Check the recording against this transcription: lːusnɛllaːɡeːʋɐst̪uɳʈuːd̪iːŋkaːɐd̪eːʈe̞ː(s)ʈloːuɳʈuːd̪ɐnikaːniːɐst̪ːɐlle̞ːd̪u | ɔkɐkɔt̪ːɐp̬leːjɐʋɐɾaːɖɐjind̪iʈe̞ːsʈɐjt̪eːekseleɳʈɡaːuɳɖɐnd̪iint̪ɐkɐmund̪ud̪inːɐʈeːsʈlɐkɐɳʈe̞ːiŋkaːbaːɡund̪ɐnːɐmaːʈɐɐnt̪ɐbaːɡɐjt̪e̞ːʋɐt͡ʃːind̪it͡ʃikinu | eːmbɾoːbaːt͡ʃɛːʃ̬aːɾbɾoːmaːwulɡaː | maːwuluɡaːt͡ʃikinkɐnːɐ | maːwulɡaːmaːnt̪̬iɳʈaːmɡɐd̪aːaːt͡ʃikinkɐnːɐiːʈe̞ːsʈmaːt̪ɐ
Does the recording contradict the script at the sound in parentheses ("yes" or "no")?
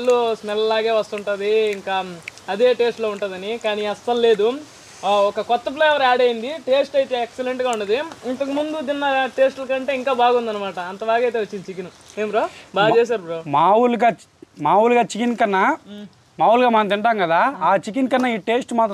no